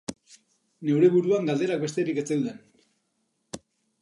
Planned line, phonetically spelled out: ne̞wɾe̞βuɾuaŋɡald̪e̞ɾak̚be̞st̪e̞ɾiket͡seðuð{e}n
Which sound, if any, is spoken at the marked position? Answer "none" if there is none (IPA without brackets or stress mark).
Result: e